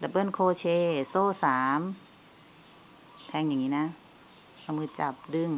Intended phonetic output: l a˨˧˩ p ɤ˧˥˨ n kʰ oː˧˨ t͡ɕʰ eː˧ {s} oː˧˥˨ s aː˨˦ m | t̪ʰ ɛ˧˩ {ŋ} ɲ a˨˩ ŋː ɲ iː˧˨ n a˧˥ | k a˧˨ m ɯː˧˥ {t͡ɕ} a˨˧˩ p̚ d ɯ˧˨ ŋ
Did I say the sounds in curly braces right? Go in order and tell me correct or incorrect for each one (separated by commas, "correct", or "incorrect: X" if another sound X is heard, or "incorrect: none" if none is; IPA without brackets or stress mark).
correct, correct, correct